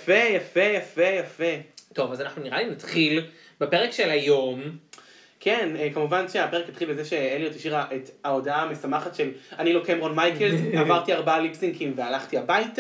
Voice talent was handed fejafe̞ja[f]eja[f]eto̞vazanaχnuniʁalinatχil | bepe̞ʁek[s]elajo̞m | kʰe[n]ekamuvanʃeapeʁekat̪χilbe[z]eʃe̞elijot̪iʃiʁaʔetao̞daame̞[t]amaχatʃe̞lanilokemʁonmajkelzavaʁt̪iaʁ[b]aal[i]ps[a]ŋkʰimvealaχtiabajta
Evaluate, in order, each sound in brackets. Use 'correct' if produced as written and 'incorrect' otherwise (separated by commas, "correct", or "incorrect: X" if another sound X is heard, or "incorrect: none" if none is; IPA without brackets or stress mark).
correct, correct, incorrect: ʃ, correct, correct, incorrect: s, correct, correct, incorrect: i